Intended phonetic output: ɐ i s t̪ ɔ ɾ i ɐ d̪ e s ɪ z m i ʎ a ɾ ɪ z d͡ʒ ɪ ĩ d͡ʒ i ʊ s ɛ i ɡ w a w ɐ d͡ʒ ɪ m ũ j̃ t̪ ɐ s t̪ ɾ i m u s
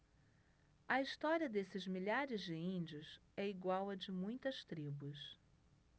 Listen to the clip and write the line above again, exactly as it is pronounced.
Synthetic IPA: ɐ i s t̪ ɔ ɾ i ɐ d̪ e s ɪ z m i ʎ a ɾ ɪ z d͡ʒ ɪ ĩ d͡ʒ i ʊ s ɛ i ɡ w a w ɐ d͡ʒ ɪ m ũ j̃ t̪ ɐ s t̪ ɾ i b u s